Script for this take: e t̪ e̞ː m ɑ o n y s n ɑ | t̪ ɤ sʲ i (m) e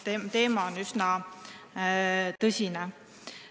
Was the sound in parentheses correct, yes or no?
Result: no